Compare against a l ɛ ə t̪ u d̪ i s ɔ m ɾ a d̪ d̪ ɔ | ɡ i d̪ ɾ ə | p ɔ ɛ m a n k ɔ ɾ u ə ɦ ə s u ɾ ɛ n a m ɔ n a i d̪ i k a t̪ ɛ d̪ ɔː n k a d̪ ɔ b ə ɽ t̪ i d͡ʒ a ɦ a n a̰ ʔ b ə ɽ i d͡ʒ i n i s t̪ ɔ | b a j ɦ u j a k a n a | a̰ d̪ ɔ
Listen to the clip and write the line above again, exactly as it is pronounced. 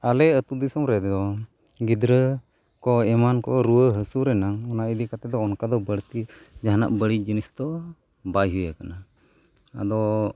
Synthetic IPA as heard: a l ɛ ə t̪ u d̪ i s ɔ m ɾ ɛ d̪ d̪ ɔ | ɡ i d̪ ɾ ə | k ɔ ɛ m a n k ɔ ɾ u ə ɦ ə s u ɾ ɛ n a ŋ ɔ n a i d̪ i k a t̪ ɛ d̪ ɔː n k a d̪ ɔ b ə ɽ t̪ i d͡ʒ a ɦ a n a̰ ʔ b ə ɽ i d͡ʒ i n i s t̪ ɔ | b a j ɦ u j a k a n a | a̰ d̪ ɔ

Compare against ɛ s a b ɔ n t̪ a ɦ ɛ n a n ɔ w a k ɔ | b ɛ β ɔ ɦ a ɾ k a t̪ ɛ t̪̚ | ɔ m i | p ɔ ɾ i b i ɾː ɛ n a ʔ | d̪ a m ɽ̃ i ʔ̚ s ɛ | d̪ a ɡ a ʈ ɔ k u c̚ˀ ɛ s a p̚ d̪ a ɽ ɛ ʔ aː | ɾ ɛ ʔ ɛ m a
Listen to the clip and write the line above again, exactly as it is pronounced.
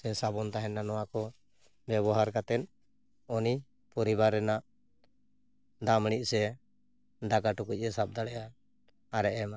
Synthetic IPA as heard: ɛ s a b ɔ n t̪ a ɦ ɛ n a n ɔ w a k ɔ | b ɛ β ɔ ɦ a ɾ k a t̪ ɛ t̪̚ | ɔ n i | p ɔ ɾ i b a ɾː ɛ n a ʔ | d̪ a m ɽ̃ i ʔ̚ s ɛ | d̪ a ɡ a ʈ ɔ k u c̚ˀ ɛ s a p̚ d̪ a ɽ ɛ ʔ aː | ɾ ɛ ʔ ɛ m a

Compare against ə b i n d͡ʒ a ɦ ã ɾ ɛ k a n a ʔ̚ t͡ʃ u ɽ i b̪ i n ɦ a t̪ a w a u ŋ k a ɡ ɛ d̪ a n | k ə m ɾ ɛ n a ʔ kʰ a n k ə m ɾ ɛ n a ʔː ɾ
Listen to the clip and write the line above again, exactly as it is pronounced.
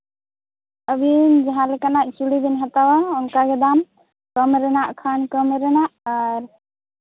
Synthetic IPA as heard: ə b i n d͡ʒ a ɦ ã l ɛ k a n a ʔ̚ t͡ʃ u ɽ i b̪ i n ɦ a t̪ a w a ɔ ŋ k a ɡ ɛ d̪ a m | k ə m ɾ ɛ n a ʔ kʰ a n k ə m ɾ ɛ n a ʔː ɾ

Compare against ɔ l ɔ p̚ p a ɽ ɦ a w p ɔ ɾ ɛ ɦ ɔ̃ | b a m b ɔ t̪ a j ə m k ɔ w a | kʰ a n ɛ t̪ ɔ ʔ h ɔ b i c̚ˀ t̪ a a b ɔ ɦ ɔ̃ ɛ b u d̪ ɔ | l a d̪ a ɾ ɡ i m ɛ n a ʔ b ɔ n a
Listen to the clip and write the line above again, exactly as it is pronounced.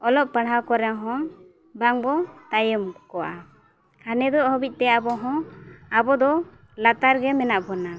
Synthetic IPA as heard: ɔ l ɔ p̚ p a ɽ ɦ a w k ɔ ɾ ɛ ɦ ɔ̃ | b a ŋ b ɔ t̪ a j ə m k ɔ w a | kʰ a n ɛ d̪ ɔ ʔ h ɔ b i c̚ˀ t̪ ɛ a b ɔ ɦ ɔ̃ a b ɔ d̪ ɔ | l a t̪ a ɾ ɡ ɛ m ɛ n a ʔ b ɔ n a

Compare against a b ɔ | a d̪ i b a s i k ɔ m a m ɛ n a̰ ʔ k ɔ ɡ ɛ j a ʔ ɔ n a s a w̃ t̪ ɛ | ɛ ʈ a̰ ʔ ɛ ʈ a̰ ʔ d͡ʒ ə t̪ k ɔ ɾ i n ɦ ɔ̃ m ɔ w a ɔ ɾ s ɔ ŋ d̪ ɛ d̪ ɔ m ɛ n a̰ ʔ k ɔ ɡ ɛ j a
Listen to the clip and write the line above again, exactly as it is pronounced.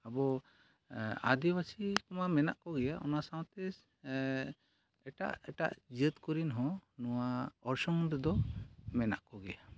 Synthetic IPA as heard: a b ɔ | a d̪ i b a s i k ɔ m a m ɛ n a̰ ʔ k ɔ ɡ ɛ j a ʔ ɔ n a s a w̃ t̪ ɛ | ɛ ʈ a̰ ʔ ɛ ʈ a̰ ʔ d͡ʒ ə t̪ k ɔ ɾ i n ɦ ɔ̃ n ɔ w a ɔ ɾ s ɔ ŋ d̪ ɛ d̪ ɔ m ɛ n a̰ ʔ k ɔ ɡ ɛ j a

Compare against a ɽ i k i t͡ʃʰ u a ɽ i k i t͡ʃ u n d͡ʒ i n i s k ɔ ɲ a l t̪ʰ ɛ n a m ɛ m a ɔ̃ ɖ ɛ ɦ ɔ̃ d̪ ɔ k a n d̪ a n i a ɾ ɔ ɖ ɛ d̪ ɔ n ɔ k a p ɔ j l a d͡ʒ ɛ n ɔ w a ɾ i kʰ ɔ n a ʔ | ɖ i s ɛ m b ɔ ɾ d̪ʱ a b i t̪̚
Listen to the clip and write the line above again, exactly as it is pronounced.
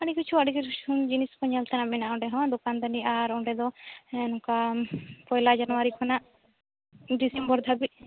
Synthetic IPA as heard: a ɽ i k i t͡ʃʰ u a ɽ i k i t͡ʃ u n d͡ʒ i n i s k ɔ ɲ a l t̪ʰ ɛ n a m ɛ n a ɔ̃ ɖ ɛ ɦ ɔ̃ d̪ ɔ k a n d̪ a n i a ɾ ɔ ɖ ɛ d̪ ɔ n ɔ k a p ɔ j l a d͡ʒ a n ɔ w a ɾ i kʰ ɔ n a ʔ | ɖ i s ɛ m b ɔ ɾ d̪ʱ a b i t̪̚

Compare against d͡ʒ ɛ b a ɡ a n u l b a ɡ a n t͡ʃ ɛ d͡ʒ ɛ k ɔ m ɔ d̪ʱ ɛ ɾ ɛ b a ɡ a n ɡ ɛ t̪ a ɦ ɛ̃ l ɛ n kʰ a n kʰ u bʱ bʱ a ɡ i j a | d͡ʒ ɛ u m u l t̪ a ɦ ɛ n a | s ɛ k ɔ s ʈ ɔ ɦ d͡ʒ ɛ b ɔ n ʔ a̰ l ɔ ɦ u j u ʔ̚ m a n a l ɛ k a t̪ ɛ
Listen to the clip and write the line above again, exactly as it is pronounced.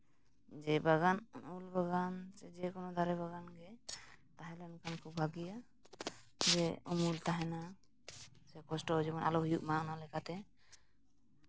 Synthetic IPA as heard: d͡ʒ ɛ b a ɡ a n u l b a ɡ a n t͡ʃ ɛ d͡ʒ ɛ k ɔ n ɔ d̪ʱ a ɾ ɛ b a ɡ a n ɡ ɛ t̪ a ɦ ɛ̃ l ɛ n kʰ a n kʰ u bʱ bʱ a ɡ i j a | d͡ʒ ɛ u m u l t̪ a ɦ ɛ n a | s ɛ k ɔ s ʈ ɔ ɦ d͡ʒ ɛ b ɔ n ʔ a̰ l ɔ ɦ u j u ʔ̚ m a n a l ɛ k a t̪ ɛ

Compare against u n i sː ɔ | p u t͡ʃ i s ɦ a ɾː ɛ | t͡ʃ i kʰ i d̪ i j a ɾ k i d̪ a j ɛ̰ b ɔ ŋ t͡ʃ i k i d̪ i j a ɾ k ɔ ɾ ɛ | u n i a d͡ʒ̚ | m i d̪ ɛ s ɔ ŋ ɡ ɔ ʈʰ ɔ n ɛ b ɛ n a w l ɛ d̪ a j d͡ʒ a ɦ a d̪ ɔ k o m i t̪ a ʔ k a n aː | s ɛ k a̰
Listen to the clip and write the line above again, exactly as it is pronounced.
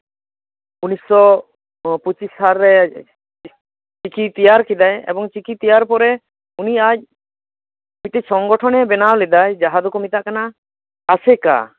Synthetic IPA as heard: u n i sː ɔ | p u t͡ʃ i s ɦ a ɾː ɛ | t͡ʃ i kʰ i t̪ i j a ɾ k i d̪ a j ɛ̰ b ɔ ŋ t͡ʃ i k i t̪ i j a ɾ p ɔ ɾ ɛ | u n i a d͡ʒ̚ | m i t̪ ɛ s ɔ ŋ ɡ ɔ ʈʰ ɔ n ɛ b ɛ n a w l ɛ d̪ a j d͡ʒ a ɦ a d̪ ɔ k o m i t̪ a ʔ k a n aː | s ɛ k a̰

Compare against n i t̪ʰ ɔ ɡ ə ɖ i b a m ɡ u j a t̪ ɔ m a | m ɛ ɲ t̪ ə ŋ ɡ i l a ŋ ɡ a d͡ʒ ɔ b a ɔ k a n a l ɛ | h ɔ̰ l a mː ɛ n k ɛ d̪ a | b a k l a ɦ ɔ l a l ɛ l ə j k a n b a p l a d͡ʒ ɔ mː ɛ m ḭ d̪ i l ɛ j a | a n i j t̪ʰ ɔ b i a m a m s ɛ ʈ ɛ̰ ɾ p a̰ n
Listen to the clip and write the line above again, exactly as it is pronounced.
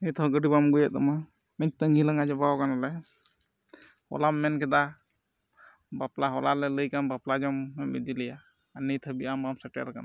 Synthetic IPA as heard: n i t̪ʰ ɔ ɡ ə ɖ i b a m ɡ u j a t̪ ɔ m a | m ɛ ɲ t̪ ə ŋ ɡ i l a ŋ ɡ a d͡ʒ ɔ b a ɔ k a n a l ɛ | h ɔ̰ l a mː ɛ n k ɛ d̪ a | b a p l a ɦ ɔ l a l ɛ l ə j k a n b a p l a d͡ʒ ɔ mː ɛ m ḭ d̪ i l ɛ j a | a n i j t̪ʰ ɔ b i a m a m s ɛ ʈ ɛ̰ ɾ k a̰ n

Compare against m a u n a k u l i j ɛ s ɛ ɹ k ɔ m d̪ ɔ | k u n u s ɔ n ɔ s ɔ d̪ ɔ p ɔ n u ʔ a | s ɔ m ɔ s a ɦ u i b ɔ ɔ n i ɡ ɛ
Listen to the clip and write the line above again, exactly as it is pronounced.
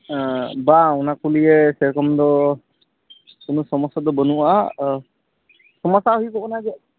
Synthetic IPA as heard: b a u n a k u l i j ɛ s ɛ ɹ k ɔ m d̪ ɔ | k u n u s ɔ m ɔ s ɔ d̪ ɔ b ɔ n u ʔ a | s ɔ m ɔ s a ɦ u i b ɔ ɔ n a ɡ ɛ

